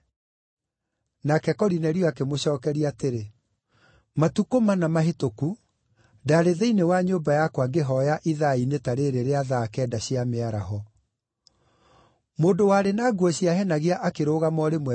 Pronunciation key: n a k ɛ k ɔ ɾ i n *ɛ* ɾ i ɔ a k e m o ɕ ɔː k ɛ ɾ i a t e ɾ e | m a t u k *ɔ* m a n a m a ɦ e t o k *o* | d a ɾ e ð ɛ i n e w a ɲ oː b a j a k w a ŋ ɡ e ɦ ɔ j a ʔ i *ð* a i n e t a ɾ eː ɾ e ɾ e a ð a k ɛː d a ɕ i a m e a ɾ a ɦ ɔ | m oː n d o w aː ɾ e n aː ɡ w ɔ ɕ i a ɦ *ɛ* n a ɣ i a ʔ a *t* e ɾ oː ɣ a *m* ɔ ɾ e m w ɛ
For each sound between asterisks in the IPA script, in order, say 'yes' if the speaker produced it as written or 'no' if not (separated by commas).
yes, no, no, yes, yes, no, yes